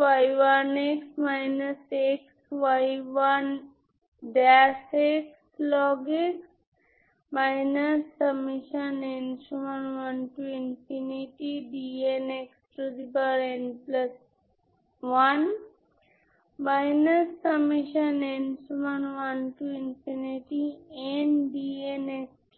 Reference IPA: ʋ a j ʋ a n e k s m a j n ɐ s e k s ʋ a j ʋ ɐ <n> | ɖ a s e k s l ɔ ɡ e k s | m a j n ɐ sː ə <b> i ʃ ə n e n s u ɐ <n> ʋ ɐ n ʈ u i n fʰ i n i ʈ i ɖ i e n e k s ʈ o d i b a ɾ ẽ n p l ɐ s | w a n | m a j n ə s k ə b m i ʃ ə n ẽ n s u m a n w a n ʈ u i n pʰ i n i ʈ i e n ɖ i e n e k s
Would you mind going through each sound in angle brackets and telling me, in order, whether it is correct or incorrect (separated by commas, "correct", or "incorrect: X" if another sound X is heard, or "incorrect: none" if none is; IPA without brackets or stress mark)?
correct, incorrect: m, correct